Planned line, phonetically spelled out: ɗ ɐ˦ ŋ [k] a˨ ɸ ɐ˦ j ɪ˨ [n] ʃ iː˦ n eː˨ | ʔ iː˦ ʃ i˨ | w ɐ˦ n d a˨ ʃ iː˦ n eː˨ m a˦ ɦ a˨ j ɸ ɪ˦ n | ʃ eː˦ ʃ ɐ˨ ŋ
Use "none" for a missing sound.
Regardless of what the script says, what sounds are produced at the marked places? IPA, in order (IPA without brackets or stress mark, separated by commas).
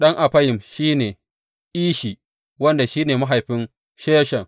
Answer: ʔ, m